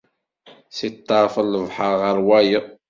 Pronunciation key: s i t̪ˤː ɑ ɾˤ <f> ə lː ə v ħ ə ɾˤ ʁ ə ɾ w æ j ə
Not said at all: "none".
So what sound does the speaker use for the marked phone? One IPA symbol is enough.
f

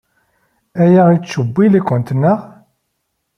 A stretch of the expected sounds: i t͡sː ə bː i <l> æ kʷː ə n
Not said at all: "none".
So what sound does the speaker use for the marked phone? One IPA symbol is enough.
l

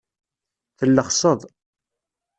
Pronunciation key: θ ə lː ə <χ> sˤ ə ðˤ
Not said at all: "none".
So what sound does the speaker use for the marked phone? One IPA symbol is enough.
χ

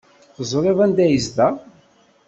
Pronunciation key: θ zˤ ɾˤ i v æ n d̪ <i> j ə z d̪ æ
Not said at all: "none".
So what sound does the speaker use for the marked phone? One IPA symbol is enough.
æ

